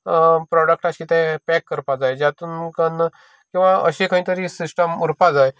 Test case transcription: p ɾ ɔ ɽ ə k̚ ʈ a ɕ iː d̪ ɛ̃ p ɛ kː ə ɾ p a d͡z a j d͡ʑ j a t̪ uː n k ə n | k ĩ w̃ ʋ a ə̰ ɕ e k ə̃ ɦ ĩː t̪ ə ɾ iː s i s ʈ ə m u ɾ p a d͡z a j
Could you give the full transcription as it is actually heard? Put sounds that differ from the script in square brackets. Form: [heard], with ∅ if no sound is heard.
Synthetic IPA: p ɾ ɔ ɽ ə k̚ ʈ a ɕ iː [t̪] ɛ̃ p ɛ kː ə ɾ p a d͡z a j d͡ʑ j a t̪ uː n k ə n | k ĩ w̃ ʋ a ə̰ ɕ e k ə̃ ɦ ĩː t̪ ə ɾ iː s i s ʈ ə m u ɾ p a d͡z a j